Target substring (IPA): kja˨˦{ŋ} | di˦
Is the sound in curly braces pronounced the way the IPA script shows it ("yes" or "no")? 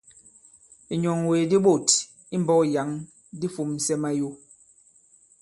yes